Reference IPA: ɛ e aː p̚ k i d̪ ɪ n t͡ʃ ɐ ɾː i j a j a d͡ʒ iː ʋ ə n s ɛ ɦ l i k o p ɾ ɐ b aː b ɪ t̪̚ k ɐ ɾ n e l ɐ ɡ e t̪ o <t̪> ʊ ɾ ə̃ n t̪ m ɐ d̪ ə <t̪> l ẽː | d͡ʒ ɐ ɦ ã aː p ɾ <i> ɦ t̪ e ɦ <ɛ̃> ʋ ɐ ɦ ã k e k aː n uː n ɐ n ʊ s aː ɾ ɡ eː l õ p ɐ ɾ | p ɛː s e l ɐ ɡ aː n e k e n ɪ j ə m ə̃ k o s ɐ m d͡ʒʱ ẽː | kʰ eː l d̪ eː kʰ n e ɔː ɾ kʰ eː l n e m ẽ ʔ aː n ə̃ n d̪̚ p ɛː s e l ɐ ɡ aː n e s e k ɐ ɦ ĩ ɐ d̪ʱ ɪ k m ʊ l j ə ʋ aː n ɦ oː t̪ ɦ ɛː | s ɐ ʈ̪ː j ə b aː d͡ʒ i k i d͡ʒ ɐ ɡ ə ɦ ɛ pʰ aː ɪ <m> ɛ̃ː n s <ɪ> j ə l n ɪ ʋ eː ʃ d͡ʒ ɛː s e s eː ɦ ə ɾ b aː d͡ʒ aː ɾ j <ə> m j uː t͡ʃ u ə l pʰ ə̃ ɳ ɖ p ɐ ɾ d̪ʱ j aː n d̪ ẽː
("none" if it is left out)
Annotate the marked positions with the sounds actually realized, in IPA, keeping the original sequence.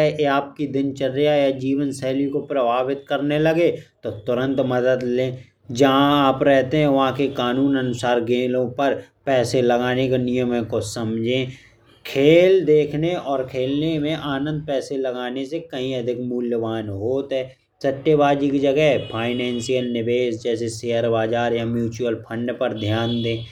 t̪, d̪, ɛ, ɛ̃, n, i, a

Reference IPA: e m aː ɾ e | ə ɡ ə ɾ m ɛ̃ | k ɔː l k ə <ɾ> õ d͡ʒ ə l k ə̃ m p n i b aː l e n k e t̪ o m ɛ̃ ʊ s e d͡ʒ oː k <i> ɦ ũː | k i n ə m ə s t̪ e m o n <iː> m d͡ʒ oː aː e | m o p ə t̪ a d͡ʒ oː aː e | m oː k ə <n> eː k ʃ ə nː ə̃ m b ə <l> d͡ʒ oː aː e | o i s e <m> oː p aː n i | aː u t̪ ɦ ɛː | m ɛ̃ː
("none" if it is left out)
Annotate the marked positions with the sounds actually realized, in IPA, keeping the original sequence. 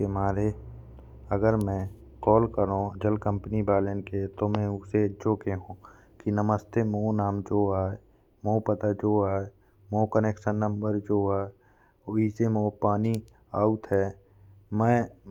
ɾ, e, aː, n, ɾ, m

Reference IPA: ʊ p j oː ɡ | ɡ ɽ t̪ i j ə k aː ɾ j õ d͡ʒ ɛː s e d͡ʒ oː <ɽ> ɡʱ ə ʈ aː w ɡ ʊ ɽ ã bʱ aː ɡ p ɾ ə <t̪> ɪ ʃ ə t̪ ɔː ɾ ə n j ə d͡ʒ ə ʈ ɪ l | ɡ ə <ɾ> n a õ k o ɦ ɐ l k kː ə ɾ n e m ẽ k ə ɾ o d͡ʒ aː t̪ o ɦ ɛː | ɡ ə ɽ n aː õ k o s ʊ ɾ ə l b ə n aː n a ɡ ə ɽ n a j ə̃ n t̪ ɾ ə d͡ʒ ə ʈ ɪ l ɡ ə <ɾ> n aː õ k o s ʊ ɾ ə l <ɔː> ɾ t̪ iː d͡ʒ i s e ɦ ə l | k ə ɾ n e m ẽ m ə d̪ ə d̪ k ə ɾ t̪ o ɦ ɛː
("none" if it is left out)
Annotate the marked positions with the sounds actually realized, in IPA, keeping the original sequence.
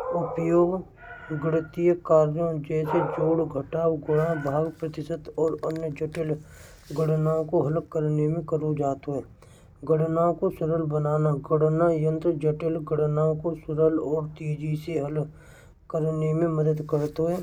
ɽ, t̪, ɽ, ɽ, ɔː

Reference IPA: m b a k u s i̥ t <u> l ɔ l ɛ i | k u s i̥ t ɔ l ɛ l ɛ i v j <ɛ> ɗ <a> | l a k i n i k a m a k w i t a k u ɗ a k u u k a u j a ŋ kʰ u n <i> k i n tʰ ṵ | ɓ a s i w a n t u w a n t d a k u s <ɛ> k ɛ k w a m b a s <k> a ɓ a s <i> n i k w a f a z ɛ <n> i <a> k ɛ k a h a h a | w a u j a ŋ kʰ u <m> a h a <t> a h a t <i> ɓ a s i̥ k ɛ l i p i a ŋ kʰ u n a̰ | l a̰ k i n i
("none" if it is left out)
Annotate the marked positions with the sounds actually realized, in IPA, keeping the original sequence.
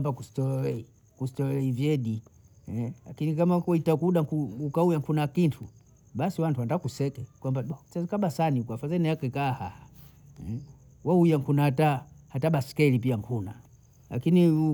ɔ, ɛ, i, a, ɛ, k, a, n, a, n, t, a

